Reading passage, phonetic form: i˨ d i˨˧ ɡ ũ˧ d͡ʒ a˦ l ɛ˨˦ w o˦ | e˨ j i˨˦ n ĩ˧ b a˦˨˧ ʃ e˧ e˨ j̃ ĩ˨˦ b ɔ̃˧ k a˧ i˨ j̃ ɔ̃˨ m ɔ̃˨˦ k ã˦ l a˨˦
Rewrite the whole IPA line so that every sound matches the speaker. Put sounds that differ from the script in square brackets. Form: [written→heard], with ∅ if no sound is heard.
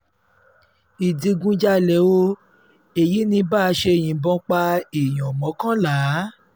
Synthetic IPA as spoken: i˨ d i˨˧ ɡ ũ˧ d͡ʒ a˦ l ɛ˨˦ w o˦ | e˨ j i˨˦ n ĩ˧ b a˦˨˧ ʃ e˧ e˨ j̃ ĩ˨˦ b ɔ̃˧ [k→k͡p] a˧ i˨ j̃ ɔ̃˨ m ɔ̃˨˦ k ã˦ l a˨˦